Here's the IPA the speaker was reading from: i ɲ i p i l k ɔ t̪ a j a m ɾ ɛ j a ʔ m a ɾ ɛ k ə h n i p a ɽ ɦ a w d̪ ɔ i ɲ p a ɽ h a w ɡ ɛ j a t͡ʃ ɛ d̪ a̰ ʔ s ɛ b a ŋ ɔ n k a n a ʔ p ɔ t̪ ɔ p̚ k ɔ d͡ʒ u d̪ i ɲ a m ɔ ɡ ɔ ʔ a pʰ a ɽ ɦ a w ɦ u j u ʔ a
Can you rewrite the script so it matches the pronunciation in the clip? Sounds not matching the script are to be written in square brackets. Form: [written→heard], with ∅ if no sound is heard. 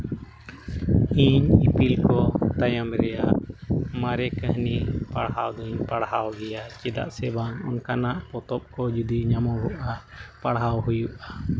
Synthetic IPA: i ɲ i p i l k ɔ t̪ a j a m ɾ ɛ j a ʔ m a ɾ ɛ k ə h n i p a ɽ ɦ a w d̪ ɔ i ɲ p a ɽ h a w ɡ ɛ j a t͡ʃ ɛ d̪ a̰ ʔ s ɛ b a ŋ ɔ n k a n a ʔ p ɔ t̪ ɔ p̚ k ɔ d͡ʒ u d̪ i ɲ a m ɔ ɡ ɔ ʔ a [pʰ→p] a ɽ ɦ a w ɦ u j u ʔ a